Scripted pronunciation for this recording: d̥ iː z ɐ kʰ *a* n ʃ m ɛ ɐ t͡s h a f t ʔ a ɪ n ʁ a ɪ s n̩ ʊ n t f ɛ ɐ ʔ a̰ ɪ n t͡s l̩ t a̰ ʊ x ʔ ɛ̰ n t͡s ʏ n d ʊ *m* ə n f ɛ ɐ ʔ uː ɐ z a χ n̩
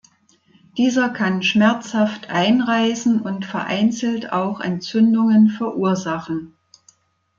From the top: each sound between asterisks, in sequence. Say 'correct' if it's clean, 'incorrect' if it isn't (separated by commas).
correct, incorrect